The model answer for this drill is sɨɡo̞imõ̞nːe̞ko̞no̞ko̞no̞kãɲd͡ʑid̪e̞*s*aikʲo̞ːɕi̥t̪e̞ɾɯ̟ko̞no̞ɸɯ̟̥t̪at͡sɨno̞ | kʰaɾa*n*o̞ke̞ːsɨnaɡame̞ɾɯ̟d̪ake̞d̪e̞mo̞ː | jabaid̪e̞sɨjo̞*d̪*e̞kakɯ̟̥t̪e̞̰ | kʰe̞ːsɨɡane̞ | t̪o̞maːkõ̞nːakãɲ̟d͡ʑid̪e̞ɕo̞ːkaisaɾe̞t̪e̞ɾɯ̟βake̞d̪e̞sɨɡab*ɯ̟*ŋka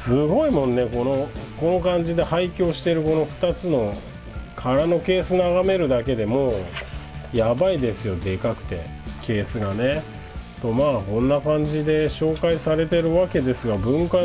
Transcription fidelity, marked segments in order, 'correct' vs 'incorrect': incorrect, correct, correct, incorrect

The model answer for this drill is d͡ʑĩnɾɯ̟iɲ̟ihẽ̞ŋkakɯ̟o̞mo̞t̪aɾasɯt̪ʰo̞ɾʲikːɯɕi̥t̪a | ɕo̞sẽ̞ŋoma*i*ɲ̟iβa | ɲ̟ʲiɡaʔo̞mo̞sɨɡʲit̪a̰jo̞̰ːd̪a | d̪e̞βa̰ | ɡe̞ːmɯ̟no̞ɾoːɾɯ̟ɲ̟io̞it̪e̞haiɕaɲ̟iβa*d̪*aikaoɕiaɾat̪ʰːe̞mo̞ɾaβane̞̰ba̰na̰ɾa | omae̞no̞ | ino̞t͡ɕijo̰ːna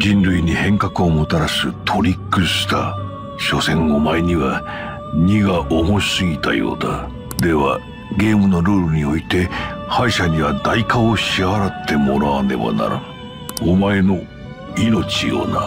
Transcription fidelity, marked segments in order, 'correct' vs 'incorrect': incorrect, correct

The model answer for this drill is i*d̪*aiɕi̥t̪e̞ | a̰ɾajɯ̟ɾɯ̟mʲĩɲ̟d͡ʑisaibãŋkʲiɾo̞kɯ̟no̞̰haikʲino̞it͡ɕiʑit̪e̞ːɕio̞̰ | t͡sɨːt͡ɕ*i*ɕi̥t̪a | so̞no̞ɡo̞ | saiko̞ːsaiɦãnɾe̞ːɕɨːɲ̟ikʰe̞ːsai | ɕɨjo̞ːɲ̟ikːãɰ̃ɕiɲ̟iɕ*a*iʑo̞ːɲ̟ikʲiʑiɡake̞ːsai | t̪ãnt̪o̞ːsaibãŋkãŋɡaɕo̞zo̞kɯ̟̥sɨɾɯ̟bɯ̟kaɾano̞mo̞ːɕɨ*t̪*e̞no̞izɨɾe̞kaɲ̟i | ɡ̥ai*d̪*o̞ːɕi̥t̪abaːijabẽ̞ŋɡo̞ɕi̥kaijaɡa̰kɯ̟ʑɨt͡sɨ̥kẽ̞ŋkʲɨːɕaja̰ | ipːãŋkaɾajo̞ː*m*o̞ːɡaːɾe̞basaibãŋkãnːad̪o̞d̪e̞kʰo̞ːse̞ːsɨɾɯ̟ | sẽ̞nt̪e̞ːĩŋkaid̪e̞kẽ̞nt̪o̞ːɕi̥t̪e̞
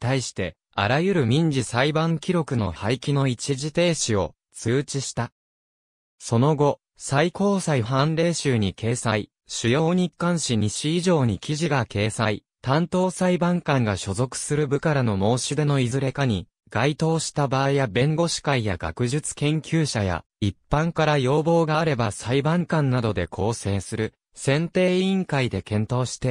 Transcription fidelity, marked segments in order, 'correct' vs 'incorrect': incorrect, correct, incorrect, incorrect, incorrect, incorrect

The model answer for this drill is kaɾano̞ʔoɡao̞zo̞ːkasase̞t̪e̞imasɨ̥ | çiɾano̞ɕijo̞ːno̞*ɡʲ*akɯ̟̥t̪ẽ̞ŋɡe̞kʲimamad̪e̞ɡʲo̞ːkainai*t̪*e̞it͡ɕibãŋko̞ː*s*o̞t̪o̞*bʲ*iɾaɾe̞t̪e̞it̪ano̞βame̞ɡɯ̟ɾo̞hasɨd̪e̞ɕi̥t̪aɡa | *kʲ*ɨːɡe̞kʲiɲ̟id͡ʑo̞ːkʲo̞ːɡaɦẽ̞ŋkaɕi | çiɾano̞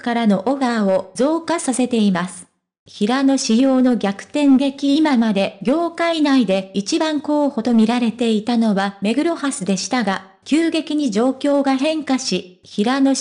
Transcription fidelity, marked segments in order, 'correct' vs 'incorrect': correct, incorrect, incorrect, incorrect, correct

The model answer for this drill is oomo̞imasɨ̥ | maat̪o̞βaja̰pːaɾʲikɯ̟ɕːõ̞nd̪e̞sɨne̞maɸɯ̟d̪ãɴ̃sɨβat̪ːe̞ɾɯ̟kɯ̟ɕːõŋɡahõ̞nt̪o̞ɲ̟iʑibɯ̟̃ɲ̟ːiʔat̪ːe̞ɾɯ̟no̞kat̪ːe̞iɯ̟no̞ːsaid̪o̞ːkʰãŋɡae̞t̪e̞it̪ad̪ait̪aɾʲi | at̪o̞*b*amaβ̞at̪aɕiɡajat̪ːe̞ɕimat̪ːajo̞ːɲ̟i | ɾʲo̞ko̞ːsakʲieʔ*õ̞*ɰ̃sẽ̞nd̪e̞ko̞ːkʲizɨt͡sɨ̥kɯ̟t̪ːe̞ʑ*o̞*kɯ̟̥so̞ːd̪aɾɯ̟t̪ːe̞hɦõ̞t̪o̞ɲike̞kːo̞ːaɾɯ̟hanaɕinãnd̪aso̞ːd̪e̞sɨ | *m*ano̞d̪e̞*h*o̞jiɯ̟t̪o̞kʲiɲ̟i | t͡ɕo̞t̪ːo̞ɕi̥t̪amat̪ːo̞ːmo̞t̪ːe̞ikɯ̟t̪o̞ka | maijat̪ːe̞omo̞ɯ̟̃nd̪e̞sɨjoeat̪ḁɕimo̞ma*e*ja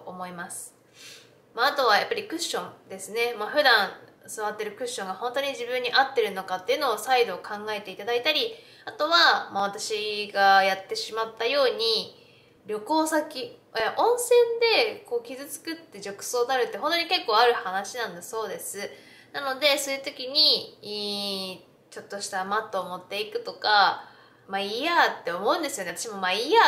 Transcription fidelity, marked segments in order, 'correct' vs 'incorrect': incorrect, correct, correct, incorrect, incorrect, incorrect

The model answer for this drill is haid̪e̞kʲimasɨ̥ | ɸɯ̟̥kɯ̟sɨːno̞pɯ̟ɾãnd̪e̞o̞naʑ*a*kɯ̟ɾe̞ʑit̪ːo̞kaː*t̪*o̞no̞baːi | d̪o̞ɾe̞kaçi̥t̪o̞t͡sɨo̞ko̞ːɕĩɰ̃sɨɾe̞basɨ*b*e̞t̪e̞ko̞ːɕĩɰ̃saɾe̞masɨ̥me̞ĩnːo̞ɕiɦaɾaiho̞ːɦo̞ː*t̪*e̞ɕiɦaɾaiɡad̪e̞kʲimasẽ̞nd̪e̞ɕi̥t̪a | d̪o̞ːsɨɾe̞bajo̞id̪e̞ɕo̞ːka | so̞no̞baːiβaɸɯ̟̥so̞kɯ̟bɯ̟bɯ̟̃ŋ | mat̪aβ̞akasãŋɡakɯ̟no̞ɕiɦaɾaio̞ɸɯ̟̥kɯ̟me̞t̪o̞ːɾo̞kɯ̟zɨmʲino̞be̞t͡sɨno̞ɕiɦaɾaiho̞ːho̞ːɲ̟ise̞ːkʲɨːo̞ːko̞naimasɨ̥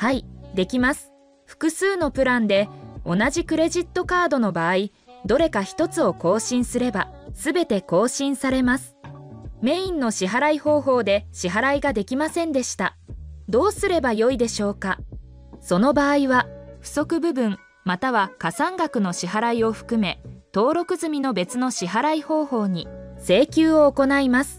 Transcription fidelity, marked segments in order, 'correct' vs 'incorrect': incorrect, incorrect, correct, incorrect

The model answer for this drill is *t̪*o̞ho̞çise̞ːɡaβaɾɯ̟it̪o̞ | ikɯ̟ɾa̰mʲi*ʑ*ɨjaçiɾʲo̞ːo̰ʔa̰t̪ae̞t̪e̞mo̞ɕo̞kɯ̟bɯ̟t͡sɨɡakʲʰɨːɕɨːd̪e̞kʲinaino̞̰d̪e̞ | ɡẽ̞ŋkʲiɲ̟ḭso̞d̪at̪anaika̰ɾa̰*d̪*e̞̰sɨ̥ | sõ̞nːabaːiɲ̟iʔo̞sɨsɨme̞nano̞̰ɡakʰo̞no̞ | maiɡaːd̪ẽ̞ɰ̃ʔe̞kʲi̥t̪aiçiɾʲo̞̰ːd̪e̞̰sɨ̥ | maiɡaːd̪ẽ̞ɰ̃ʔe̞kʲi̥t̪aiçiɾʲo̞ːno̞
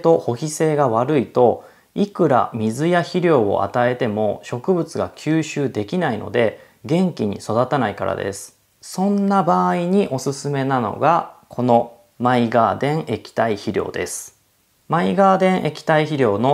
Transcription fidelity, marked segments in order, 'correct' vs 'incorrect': correct, incorrect, correct

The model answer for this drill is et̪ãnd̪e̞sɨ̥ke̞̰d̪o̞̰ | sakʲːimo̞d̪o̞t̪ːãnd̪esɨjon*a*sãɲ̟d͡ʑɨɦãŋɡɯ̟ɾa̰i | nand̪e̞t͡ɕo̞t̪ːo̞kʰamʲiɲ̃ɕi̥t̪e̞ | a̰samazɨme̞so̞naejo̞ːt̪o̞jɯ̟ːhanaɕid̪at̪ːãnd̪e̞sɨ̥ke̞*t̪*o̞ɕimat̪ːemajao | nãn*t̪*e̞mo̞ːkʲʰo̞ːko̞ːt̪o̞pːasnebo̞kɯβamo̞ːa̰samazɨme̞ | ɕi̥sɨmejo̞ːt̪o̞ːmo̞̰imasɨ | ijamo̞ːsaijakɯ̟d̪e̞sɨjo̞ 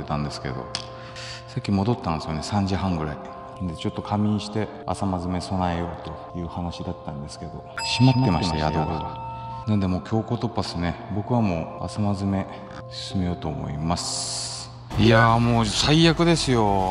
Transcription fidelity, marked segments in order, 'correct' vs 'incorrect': incorrect, incorrect, incorrect

